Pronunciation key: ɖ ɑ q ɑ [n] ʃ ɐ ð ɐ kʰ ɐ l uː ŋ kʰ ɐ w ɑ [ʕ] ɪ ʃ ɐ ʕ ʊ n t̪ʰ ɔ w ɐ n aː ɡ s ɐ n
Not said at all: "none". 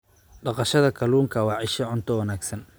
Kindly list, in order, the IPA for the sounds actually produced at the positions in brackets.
none, ʕ

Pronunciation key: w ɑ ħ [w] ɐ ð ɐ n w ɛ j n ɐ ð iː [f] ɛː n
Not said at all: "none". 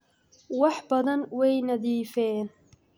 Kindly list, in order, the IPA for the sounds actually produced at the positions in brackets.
b, f

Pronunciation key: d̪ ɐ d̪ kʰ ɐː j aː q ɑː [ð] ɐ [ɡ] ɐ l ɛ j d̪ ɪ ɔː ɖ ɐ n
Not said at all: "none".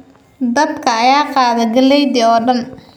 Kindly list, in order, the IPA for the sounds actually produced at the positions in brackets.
ð, ɡ

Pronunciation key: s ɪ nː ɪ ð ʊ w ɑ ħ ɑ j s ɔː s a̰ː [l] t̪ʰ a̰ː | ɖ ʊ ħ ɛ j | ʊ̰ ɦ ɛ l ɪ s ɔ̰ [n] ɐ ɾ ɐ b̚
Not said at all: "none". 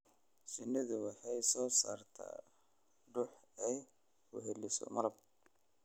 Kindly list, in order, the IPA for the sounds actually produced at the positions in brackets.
r, m

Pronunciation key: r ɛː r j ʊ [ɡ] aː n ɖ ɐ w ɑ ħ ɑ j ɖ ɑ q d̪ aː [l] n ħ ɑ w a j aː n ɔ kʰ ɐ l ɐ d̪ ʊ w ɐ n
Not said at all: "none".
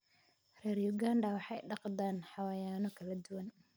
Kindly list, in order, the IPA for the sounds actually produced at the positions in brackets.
ɡ, none

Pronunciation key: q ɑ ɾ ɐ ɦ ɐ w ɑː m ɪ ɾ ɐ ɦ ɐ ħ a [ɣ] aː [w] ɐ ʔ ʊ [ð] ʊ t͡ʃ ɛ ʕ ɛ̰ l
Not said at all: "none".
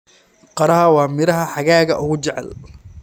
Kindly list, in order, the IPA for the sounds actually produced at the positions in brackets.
ɣ, ɣ, ɣ

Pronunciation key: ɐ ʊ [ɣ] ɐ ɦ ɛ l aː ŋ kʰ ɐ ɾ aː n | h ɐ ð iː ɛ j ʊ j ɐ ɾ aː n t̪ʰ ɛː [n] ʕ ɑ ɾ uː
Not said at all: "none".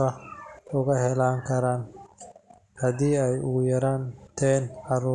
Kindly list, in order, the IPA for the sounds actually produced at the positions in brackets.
ɣ, n

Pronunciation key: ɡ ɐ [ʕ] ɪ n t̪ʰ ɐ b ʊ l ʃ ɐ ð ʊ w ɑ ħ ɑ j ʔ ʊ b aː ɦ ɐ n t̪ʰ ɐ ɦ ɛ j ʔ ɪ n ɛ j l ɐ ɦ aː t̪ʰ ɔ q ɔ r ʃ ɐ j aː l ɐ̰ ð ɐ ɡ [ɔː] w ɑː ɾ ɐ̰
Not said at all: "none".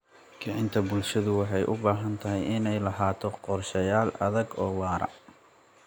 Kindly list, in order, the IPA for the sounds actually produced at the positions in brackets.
ʕ, ɔː

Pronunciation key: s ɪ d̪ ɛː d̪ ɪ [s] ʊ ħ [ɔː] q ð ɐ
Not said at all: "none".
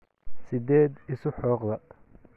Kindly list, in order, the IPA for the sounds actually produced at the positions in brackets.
s, ɔː

